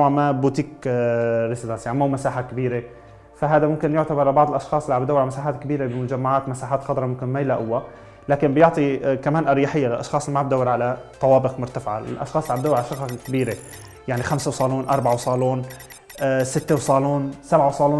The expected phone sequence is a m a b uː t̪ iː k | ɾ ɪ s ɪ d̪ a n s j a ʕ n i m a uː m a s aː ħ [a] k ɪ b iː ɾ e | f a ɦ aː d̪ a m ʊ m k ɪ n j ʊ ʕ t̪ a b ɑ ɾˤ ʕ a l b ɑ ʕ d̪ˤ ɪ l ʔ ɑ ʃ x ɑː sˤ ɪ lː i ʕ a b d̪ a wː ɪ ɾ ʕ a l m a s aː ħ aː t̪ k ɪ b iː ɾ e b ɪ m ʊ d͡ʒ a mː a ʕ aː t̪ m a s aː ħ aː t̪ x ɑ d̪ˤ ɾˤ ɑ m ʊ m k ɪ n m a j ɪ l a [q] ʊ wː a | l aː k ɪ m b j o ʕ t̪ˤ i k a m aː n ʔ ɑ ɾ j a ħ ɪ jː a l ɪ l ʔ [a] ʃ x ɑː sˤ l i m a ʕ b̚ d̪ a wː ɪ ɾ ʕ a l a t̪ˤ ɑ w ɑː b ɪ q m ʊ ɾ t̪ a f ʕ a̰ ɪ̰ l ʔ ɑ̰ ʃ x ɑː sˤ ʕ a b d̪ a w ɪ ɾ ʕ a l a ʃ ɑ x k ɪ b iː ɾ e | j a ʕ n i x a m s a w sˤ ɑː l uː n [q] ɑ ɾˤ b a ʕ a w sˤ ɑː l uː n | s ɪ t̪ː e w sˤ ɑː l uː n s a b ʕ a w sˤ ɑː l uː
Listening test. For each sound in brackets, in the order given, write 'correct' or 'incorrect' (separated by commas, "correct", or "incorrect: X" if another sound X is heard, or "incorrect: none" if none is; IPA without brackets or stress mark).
correct, incorrect: ʔ, incorrect: ɑ, incorrect: ʔ